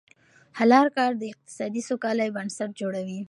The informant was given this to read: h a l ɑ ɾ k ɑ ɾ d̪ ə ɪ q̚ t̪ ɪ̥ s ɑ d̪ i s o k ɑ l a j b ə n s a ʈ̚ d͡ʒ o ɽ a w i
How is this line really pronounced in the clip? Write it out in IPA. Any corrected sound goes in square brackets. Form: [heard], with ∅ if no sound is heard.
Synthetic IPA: h a l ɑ ɾ k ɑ ɾ d̪ ə ɪ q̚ t̪ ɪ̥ s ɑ d̪ i s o k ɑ l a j b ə n s a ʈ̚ d͡ʒ o ɽ a w i